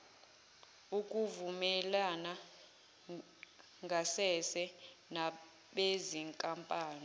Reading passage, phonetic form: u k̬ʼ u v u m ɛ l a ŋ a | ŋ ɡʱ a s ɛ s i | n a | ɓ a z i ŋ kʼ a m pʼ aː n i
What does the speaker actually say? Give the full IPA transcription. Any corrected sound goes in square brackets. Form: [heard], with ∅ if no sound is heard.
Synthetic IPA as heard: u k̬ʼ u v u m ɛ l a [n] a | ŋ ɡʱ a s ɛ s [ɛ] | n a | ɓ [e] z i ŋ kʼ a m pʼ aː n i